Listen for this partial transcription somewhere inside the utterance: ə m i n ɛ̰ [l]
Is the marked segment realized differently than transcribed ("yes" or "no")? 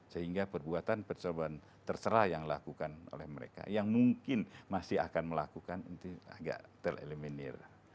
yes